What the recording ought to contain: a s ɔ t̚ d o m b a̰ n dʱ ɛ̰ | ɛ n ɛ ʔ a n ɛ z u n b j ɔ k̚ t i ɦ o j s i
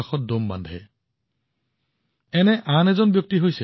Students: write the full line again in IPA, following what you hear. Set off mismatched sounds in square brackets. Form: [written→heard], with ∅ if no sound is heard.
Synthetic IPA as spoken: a [s→x] ɔ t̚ d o m b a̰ n dʱ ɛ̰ | ɛ n ɛ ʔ a n ɛ z [u→ɔ] n b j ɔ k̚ t i ɦ o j s [i→ɛ]